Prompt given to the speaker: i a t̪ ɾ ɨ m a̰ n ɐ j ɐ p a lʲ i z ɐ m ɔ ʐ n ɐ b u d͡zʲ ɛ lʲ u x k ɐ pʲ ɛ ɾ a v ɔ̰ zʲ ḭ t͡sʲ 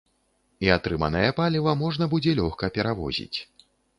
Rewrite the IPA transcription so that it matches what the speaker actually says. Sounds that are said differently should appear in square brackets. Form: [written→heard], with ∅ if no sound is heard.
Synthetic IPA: i a t̪ ɾ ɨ m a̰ n ɐ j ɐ p a lʲ i [z→v] ɐ m ɔ ʐ n ɐ b u d͡zʲ ɛ lʲ [u→ɔ] x k ɐ pʲ ɛ ɾ a v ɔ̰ zʲ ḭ t͡sʲ